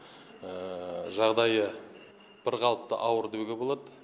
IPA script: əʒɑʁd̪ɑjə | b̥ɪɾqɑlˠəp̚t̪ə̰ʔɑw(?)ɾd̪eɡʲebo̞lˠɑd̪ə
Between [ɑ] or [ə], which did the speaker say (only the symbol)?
ə